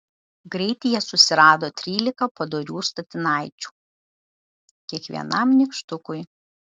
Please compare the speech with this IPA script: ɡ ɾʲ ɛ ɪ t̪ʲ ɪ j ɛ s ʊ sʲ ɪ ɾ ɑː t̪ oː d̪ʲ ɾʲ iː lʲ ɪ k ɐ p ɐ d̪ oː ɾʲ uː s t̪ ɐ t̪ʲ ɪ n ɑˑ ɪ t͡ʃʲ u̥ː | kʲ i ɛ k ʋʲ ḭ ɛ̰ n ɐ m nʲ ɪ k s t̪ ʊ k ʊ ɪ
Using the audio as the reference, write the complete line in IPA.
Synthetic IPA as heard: ɡ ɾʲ ɛ ɪ t̪ʲ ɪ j ɛ s ʊ sʲ ɪ ɾ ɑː d̪ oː t̪ʲ ɾʲ iː lʲ ɪ k ɐ p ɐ d̪ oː ɾʲ uː s t̪ ɐ t̪ʲ ɪ n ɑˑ ɪ t͡ʃʲ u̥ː | kʲ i ɛ k ʋʲ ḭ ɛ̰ n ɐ m nʲ ɪ k ʃ t̪ ʊ k ʊ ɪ